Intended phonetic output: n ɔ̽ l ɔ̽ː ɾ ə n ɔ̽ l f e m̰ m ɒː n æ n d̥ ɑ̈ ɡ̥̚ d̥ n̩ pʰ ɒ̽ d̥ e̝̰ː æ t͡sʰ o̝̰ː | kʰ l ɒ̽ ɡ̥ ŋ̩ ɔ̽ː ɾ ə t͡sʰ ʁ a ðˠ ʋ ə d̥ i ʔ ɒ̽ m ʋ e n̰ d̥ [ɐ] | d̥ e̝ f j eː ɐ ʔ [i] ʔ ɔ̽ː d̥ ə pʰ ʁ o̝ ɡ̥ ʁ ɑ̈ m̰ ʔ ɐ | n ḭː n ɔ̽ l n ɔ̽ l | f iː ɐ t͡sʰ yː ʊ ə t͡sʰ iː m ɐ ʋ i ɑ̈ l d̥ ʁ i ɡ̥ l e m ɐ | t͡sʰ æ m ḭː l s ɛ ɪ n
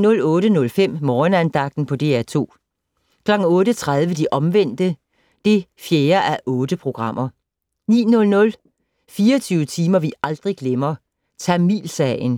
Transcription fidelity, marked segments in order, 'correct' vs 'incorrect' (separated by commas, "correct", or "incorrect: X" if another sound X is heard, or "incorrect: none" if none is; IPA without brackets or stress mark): incorrect: ə, incorrect: æ